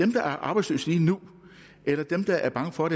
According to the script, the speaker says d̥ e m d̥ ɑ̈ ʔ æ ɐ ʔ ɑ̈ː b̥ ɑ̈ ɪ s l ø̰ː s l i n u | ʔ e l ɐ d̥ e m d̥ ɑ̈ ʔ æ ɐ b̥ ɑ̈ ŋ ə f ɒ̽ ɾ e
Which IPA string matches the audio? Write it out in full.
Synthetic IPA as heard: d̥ e m d̥ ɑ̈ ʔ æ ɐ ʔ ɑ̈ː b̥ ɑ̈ ɪ s l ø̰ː s l iː n u | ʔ e l ɐ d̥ e m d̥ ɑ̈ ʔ æ ɐ b̥ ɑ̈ ŋ ə f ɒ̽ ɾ e